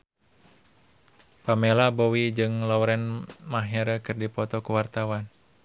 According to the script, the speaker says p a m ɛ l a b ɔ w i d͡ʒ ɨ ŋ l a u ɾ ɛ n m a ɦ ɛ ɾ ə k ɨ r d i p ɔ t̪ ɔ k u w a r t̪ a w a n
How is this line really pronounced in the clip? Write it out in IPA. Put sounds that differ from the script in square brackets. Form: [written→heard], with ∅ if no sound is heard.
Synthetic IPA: p a m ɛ l a b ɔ w i d͡ʒ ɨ ŋ l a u ɾ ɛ n m a ɦ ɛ ɾ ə k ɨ r d i p ɔ t̪ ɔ k u w a r t̪ a w a n